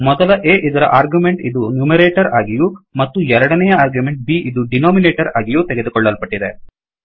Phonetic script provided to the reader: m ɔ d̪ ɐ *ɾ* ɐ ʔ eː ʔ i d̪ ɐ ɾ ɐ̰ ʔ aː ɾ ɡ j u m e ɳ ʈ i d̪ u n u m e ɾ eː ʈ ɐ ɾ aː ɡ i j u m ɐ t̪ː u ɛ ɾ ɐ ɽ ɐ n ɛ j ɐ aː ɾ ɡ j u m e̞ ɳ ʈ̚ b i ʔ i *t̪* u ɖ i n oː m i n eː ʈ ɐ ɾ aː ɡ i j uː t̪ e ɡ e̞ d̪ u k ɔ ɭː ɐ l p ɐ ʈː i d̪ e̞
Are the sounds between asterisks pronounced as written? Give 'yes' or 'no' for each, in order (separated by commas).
no, no